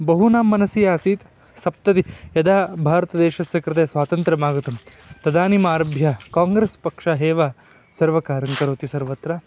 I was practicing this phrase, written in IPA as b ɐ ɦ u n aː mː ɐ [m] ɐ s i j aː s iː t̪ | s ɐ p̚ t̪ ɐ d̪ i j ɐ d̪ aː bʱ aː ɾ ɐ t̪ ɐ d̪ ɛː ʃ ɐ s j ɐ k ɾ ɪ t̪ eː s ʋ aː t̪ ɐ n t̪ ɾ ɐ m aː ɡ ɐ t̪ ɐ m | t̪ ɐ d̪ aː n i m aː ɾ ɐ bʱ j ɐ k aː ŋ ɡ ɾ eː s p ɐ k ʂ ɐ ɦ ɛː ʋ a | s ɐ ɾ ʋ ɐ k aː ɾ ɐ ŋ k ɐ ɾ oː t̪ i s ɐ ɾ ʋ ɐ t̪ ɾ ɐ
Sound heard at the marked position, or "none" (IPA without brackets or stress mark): n